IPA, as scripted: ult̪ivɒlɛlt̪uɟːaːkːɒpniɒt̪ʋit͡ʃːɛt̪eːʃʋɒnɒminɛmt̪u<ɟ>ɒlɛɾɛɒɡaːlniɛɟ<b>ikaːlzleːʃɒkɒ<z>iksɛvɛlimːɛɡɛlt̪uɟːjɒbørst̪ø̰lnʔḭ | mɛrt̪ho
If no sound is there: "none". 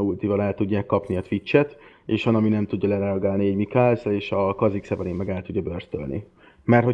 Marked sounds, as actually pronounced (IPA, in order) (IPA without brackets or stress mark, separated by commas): ɟː, m, z